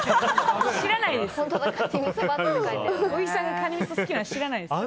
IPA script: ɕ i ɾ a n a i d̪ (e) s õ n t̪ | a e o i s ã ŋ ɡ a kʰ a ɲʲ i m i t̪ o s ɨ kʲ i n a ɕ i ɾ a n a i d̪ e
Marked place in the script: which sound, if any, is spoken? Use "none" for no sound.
e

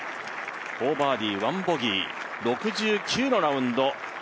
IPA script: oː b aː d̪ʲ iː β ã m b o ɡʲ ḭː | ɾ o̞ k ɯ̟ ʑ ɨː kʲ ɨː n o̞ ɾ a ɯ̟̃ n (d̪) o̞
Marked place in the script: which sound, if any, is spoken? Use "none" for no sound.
d̪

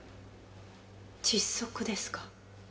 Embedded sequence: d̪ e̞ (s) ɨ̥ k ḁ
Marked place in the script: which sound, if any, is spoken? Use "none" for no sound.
s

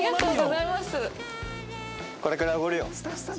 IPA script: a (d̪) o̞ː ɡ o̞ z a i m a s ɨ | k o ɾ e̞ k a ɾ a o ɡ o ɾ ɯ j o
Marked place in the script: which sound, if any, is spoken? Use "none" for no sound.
t̪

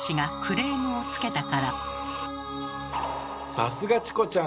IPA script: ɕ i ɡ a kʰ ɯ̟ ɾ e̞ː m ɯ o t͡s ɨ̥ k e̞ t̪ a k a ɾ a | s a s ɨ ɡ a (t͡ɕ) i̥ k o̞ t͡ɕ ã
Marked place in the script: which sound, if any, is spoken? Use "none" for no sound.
t͡ɕ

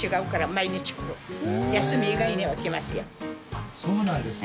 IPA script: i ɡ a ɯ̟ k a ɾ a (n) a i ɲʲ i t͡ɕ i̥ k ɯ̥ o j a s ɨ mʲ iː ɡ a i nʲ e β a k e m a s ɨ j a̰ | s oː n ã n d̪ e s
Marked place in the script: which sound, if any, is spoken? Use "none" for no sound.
m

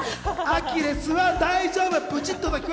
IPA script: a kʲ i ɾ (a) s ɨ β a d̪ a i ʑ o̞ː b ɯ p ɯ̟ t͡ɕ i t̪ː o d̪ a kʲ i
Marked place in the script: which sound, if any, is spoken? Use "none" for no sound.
e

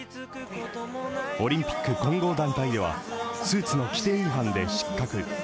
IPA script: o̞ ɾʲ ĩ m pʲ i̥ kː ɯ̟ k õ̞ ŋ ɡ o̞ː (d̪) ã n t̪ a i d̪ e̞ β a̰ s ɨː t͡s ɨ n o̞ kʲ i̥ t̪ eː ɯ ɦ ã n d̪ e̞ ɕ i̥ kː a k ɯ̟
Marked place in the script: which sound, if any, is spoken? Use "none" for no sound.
d̪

